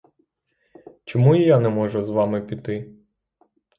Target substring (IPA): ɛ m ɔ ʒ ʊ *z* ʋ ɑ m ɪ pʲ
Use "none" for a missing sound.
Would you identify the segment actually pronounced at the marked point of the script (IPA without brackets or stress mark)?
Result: z